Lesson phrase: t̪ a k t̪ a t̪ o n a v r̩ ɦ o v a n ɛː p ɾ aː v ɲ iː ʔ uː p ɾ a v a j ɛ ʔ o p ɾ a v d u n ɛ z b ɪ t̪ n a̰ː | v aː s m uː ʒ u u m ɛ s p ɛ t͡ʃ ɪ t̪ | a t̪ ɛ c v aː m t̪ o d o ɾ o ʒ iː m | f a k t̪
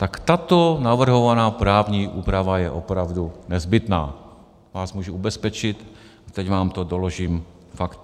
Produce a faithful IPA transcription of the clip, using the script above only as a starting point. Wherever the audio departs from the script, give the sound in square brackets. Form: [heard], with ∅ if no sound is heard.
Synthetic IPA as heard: t̪ a k t̪ a t̪ o n a v r̩ ɦ o v a n [aː] p ɾ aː v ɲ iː ʔ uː p ɾ a v a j ɛ ʔ o p ɾ a v d u n ɛ z b ɪ t̪ n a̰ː | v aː s m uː ʒ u u [b] ɛ s p ɛ t͡ʃ ɪ t̪ | a t̪ ɛ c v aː m t̪ o d o [l] o ʒ iː m | f a k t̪